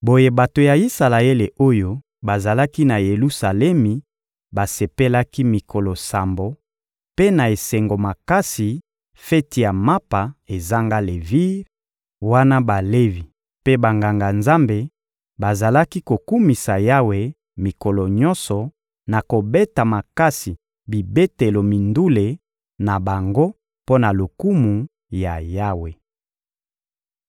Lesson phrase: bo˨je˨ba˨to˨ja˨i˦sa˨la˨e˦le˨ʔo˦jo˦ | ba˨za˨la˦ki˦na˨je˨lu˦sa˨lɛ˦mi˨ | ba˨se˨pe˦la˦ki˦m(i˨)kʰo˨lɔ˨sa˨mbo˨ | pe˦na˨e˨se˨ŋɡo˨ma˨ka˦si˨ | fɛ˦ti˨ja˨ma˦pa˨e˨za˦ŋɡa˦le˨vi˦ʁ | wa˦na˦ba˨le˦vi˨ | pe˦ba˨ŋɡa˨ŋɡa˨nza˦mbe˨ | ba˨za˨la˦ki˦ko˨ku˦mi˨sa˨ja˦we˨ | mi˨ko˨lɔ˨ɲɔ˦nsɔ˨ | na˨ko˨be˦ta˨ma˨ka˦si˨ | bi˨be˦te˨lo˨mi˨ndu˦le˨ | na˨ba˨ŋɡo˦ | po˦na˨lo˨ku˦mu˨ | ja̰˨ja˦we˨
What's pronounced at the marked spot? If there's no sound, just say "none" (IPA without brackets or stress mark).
i˨